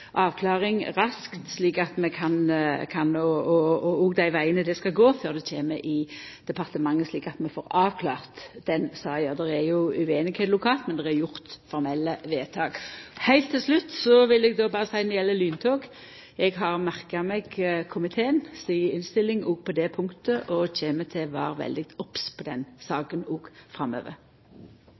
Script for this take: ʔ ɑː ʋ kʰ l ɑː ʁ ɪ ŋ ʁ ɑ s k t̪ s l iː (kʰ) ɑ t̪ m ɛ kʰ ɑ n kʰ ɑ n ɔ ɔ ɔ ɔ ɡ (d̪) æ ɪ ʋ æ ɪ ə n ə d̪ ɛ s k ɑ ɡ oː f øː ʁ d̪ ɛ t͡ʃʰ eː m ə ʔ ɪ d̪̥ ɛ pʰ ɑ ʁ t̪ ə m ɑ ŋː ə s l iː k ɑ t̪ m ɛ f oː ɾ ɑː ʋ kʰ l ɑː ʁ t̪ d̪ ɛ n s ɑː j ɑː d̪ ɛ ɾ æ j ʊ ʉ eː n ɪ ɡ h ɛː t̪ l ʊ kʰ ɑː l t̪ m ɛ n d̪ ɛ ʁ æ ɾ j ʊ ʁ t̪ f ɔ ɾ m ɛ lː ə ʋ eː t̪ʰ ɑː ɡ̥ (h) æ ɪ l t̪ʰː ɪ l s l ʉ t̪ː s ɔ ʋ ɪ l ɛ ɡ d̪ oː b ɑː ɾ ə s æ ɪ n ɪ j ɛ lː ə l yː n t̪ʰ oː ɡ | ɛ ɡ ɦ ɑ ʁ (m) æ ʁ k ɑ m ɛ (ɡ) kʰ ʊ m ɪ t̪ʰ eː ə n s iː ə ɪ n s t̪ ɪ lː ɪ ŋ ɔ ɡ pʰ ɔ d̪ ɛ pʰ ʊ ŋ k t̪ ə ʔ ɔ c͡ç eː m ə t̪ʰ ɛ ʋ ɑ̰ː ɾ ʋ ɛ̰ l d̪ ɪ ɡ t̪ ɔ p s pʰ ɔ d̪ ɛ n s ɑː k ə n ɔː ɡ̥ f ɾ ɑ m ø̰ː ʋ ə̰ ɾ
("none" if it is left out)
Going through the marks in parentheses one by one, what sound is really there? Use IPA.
k, d̪, h, m, ɡ

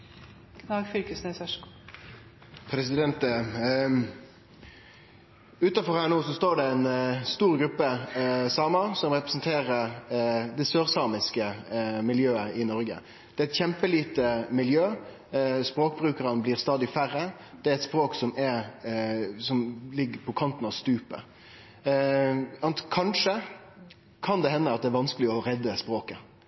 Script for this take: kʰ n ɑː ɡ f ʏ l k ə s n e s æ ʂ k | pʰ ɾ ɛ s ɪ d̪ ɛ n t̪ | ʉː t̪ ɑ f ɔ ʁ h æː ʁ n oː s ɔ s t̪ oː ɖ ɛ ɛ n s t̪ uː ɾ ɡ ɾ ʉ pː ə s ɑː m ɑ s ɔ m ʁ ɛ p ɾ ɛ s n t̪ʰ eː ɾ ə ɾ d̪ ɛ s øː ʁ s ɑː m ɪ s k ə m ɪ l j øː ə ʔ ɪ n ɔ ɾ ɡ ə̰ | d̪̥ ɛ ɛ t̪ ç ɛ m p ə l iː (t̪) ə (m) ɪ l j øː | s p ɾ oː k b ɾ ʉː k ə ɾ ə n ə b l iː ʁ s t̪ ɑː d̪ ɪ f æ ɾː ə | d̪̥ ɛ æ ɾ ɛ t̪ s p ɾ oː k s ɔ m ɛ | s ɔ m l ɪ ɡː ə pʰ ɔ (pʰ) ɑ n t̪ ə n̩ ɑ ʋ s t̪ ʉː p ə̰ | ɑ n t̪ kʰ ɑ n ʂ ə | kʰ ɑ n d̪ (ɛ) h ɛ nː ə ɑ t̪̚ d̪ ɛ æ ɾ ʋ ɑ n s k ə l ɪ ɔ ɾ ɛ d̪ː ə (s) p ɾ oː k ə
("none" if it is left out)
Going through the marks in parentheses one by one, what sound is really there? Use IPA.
t̪, m, kʰ, ɛ, s

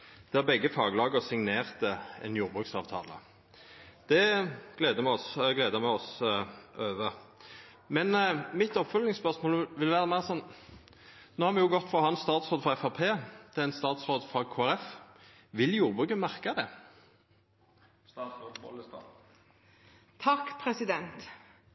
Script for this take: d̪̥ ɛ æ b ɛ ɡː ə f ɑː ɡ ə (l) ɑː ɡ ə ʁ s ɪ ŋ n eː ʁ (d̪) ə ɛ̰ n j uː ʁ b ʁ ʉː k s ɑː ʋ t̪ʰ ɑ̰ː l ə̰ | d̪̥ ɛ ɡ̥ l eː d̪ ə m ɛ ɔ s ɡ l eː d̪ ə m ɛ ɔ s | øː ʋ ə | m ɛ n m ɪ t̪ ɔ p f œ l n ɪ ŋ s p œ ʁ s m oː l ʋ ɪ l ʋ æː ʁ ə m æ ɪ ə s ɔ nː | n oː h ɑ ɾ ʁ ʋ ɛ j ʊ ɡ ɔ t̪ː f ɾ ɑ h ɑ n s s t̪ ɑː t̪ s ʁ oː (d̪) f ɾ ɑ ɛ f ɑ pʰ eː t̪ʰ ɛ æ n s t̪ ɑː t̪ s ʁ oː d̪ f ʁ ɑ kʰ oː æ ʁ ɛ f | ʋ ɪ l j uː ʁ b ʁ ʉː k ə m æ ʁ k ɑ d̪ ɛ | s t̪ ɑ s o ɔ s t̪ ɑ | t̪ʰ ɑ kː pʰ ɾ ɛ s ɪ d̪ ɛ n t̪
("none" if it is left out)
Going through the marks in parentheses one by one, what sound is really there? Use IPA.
l, t̪, d̪

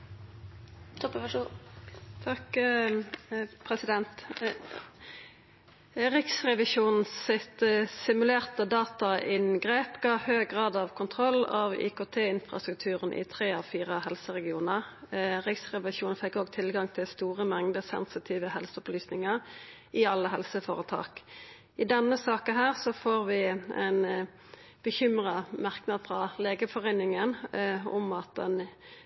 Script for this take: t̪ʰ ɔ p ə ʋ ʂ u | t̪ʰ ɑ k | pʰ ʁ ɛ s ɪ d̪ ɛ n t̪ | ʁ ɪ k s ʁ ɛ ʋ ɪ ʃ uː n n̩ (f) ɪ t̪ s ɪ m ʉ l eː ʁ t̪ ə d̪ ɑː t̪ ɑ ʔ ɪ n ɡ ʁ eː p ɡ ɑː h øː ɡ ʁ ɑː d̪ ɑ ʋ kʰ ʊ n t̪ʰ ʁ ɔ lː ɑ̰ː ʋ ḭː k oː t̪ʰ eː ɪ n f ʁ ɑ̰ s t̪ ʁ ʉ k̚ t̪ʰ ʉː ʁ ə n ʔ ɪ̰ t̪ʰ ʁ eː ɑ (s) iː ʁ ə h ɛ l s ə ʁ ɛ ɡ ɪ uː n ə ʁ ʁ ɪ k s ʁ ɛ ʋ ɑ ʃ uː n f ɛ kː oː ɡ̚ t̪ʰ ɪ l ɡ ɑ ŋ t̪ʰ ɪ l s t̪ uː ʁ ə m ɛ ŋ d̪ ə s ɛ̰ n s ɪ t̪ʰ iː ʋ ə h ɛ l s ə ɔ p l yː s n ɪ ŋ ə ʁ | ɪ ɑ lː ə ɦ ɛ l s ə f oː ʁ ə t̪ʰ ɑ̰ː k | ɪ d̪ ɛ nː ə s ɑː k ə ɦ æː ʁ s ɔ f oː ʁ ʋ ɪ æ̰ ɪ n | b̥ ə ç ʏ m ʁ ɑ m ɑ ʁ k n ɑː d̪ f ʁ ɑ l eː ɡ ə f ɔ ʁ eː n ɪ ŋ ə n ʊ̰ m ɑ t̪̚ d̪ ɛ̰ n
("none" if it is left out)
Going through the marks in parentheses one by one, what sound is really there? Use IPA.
s, f

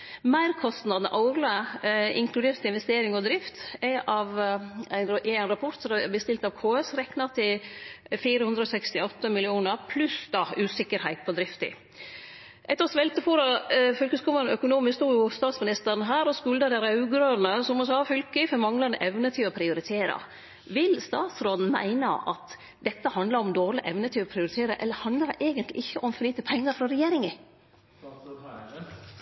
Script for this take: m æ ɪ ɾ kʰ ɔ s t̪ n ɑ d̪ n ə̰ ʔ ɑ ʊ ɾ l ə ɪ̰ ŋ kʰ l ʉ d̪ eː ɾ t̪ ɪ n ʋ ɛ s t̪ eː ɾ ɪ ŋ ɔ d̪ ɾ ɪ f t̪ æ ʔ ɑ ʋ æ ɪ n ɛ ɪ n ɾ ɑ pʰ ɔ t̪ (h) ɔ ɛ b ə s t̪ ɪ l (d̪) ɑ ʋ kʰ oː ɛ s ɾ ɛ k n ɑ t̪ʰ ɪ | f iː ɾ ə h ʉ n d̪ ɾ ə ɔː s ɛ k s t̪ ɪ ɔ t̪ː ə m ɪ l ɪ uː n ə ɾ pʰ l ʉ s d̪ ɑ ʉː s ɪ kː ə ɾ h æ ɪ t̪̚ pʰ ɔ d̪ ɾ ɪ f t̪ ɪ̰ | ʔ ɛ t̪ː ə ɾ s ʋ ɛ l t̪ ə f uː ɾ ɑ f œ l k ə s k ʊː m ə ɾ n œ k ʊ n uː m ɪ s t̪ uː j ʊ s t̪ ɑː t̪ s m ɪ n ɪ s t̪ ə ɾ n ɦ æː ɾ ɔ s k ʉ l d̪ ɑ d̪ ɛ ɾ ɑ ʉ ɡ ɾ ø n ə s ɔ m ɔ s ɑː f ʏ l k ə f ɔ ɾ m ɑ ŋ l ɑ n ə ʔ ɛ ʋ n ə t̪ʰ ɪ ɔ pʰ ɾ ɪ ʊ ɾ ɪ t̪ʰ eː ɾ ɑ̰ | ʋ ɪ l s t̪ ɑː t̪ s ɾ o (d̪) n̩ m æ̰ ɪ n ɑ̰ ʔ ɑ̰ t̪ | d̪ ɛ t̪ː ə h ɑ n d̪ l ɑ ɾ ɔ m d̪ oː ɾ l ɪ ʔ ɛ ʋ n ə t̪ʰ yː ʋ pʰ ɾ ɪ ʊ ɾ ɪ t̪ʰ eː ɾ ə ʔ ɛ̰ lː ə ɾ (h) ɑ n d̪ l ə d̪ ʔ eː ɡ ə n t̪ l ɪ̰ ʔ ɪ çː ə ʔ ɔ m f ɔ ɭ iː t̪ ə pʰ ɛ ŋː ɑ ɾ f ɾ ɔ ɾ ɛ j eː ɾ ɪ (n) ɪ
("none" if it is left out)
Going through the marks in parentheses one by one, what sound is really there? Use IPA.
s, t̪, d̪, h, ŋ

